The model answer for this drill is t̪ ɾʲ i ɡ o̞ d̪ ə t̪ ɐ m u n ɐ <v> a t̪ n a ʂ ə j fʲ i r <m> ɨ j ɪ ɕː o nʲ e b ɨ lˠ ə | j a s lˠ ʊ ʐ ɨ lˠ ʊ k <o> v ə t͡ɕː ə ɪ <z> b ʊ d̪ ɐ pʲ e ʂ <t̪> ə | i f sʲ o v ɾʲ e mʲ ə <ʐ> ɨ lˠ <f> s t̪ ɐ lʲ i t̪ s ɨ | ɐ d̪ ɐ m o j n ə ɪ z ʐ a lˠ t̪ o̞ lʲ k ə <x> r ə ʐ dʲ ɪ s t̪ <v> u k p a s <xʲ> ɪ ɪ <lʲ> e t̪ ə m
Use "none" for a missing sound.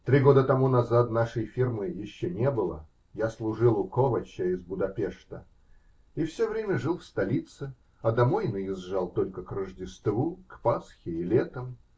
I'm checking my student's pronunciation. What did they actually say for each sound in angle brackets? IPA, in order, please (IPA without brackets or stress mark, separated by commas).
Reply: z, m, o, z, t̪, ʐ, f, k, v, xʲ, lʲ